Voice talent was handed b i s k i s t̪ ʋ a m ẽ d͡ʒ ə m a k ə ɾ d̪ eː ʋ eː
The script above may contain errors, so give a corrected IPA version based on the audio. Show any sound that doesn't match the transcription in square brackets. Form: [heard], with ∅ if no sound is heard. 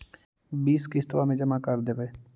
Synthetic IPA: b [iː] s k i s t̪ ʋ a m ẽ d͡ʒ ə m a k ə ɾ d̪ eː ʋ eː